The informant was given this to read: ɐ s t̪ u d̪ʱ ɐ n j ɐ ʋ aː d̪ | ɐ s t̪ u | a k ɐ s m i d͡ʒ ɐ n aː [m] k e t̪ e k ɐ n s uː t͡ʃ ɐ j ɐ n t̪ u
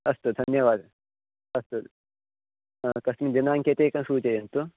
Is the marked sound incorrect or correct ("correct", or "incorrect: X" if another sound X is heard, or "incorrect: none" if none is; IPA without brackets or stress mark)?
incorrect: ŋ